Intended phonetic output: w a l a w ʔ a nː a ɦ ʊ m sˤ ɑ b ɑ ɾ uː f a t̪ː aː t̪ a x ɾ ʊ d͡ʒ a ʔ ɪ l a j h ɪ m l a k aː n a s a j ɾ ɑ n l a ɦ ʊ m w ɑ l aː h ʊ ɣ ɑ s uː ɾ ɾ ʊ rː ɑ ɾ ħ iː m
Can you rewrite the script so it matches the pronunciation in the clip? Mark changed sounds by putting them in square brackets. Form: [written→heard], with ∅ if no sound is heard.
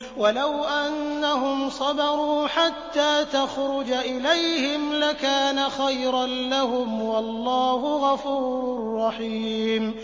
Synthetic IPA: w a l a w ʔ a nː a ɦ ʊ m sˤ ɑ b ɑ ɾ uː [f→ħ] a t̪ː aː t̪ a x ɾ ʊ d͡ʒ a ʔ ɪ l a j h ɪ m l a k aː n a [s→x] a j ɾ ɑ n l a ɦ ʊ m w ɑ [l→lː] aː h ʊ ɣ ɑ [s→f] uː ɾ ɾ ʊ rː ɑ [ɾ→∅] ħ iː m